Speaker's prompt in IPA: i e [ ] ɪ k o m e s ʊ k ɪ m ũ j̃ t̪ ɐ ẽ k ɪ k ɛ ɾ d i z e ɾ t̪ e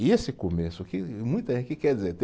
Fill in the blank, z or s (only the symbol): s